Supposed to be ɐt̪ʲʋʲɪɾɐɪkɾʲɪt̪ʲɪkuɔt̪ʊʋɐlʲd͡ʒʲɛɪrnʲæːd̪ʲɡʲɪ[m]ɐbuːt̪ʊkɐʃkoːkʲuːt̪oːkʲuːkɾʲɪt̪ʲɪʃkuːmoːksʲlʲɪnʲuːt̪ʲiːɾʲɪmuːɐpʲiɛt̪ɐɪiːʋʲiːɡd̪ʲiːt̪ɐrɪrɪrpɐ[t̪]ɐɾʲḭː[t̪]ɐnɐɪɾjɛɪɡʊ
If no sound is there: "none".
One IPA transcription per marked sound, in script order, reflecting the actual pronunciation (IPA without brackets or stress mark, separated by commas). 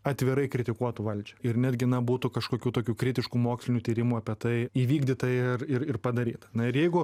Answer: n, d̪, t̪